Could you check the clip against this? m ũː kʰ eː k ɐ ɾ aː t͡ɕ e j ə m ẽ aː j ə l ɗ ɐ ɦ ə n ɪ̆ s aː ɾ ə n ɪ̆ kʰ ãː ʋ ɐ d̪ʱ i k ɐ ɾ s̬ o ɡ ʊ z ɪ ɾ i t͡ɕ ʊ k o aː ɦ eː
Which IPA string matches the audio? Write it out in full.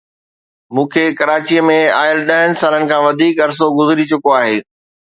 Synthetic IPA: m ũː kʰ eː k ɐ ɾ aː t͡ɕ i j ə m ẽ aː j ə l ɗ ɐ ɦ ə n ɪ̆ s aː l ə n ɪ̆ kʰ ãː ʋ ɐ d̪ʱ iː k ɐ ɾ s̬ o ɡ ʊ z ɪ ɾ i t͡ɕ ʊ k o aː ɦ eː